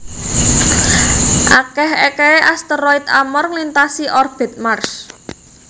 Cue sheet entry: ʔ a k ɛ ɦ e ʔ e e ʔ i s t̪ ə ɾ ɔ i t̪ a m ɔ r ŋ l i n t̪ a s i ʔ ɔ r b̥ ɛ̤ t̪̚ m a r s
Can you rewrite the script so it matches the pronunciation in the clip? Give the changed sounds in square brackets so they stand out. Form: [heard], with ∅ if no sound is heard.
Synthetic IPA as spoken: ʔ a k ɛ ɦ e [k] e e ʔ [a] s t̪ ə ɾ ɔ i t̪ a m ɔ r ŋ l i n t̪ a s i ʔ ɔ r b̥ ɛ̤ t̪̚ m a r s